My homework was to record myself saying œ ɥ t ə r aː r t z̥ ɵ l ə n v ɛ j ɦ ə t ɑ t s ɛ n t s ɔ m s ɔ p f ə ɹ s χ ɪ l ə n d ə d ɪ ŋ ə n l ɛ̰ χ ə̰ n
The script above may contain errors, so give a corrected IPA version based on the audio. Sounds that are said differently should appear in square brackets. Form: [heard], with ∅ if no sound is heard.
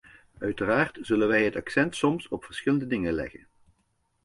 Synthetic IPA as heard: œ ɥ t ə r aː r t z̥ ɵ l ə n [ʋ] ɛ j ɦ ə t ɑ [k] s ɛ n t s ɔ m s ɔ p f ə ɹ s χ ɪ l ə n d ə d ɪ ŋ ə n l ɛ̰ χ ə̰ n